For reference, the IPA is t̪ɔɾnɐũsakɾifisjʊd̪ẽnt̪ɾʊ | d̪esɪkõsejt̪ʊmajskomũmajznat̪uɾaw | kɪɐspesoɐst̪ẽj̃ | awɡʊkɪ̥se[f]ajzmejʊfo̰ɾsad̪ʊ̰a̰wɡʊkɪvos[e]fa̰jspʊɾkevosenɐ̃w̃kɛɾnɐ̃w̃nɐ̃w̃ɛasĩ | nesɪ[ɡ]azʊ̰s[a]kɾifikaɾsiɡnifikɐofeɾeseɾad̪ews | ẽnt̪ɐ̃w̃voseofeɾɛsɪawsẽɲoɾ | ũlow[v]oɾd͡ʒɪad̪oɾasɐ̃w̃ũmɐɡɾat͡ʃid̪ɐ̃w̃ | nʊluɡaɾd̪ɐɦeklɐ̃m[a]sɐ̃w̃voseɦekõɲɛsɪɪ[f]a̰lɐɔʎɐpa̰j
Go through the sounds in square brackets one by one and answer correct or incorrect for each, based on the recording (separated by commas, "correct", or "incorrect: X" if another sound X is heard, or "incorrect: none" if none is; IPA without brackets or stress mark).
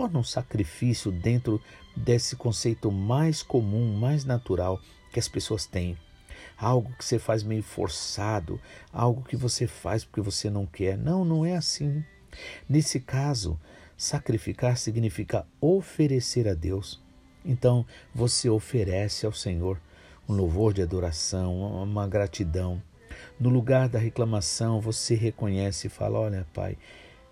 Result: correct, correct, incorrect: k, correct, correct, correct, correct